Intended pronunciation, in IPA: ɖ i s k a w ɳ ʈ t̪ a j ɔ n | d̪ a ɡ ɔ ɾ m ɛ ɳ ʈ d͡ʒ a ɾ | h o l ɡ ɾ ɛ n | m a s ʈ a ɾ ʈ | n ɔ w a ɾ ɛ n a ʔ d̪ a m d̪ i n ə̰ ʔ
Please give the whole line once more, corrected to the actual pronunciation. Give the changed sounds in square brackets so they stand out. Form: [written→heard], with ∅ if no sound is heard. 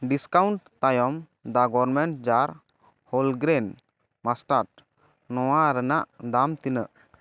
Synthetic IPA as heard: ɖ i s k a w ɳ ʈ t̪ a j ɔ [n→m] | d̪ a ɡ ɔ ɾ m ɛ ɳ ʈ d͡ʒ a ɾ | h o l ɡ ɾ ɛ n | m a s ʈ a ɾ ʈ | n ɔ w a ɾ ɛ n a ʔ d̪ a m [d̪→t̪] i n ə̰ ʔ